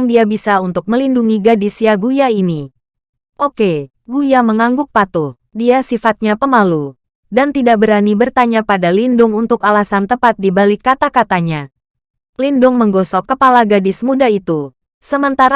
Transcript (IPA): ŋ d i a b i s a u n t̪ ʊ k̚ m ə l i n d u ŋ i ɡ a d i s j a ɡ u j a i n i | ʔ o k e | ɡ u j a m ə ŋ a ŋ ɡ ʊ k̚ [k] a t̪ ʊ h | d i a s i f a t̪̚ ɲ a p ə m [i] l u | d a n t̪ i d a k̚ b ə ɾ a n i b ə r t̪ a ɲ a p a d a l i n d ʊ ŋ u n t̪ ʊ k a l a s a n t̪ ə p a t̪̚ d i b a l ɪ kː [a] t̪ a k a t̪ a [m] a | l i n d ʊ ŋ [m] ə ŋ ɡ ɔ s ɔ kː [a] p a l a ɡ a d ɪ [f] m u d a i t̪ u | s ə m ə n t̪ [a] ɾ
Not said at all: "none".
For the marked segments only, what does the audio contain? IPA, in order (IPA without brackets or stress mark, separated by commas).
p, a, a, ɲ, m, ə, s, a